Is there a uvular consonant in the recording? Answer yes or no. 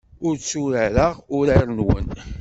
yes